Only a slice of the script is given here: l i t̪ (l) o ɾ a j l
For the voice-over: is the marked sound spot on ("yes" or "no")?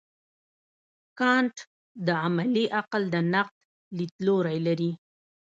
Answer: yes